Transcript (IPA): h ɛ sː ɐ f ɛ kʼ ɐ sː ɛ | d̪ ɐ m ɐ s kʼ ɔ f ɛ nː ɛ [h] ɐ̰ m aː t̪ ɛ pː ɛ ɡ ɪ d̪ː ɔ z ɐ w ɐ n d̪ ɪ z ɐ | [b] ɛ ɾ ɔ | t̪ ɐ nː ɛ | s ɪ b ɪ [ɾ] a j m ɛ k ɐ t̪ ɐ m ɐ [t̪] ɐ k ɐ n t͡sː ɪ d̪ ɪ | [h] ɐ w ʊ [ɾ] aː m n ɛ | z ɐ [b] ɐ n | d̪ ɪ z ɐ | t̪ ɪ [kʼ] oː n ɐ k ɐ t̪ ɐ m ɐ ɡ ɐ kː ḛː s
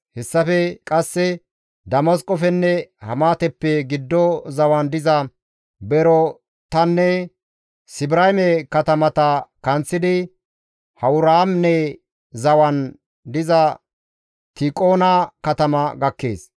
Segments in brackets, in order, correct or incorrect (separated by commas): correct, correct, correct, correct, correct, correct, incorrect, correct